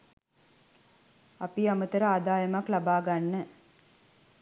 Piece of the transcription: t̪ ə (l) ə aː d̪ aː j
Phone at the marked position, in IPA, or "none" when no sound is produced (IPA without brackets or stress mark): ɾ